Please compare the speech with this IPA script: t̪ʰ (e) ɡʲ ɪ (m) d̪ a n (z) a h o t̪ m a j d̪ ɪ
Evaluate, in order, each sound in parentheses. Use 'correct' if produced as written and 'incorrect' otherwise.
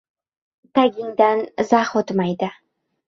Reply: incorrect, incorrect, correct

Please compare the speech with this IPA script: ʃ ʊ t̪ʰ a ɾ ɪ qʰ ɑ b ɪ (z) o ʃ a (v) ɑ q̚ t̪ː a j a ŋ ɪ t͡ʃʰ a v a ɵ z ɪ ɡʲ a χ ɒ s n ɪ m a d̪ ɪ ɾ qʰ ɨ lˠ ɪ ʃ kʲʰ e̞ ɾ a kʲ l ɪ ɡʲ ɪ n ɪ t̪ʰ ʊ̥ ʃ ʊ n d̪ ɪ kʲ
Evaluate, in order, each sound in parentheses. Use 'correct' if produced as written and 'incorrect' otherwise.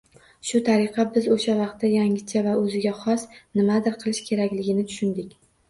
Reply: correct, correct

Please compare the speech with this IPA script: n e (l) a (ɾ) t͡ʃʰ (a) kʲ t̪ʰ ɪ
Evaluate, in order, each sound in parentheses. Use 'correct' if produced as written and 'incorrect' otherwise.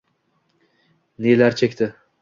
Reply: correct, correct, incorrect

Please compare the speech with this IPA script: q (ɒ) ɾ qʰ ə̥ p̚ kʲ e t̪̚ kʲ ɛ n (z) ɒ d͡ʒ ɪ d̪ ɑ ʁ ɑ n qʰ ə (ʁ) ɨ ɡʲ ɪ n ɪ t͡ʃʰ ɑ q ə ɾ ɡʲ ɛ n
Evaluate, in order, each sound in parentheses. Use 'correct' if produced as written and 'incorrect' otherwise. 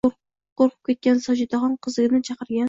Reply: incorrect, incorrect, incorrect

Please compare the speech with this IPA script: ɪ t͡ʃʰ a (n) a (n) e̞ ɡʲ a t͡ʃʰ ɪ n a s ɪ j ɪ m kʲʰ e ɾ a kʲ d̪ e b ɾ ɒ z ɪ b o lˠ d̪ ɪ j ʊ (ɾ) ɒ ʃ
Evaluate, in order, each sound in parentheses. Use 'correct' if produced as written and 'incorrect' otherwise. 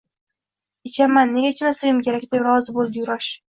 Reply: incorrect, incorrect, correct

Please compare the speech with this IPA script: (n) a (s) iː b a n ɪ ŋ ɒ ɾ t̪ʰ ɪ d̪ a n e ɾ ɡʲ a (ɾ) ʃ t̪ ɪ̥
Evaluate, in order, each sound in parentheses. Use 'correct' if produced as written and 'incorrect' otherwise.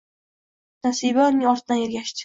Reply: correct, correct, incorrect

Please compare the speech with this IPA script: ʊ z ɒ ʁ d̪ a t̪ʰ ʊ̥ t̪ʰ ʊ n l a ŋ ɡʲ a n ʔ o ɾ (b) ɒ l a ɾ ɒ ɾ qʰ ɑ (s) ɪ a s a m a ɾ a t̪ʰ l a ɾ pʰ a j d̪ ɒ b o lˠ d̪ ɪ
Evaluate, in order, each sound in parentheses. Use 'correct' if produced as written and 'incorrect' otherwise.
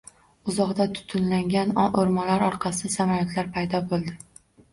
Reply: incorrect, correct

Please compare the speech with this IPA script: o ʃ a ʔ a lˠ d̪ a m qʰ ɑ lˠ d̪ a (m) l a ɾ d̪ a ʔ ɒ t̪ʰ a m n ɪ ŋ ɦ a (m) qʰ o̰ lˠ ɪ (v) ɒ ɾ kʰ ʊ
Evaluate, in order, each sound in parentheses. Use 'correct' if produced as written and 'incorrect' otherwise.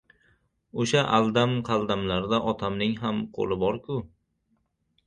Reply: correct, correct, incorrect

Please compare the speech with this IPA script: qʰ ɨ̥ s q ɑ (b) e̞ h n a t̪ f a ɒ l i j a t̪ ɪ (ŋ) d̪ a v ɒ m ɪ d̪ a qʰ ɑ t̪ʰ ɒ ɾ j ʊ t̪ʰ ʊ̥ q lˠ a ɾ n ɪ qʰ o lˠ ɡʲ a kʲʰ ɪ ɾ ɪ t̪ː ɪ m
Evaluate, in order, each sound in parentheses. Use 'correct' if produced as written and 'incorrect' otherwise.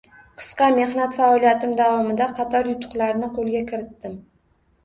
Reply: incorrect, incorrect

